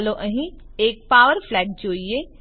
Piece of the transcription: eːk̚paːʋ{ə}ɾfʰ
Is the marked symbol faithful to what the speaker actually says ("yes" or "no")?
yes